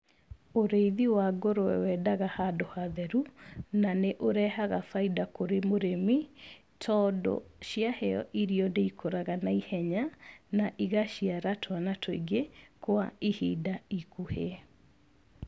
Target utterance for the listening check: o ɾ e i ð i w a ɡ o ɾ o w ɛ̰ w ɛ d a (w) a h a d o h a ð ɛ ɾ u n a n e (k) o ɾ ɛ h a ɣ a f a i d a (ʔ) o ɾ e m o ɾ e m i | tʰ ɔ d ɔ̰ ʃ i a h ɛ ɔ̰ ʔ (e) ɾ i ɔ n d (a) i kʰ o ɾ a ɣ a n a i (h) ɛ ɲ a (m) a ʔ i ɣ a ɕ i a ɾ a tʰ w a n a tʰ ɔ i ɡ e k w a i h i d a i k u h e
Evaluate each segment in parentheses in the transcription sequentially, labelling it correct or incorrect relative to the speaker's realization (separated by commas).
incorrect, incorrect, incorrect, incorrect, incorrect, correct, incorrect